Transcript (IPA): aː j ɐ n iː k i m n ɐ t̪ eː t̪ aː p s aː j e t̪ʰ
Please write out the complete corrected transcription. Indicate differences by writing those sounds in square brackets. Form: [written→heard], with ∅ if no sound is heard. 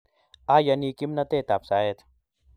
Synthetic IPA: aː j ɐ n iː k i m n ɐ t̪ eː t̪ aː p s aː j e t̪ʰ